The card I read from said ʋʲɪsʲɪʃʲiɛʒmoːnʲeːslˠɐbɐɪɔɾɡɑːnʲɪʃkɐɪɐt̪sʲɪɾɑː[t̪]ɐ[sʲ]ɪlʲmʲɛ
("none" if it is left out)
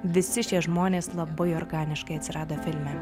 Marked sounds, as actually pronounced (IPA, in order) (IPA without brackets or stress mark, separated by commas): d̪, fʲ